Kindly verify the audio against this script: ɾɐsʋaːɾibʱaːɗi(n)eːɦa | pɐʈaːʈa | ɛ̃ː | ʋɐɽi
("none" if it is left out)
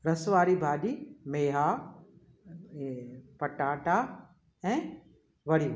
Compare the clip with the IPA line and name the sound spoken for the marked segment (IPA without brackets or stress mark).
m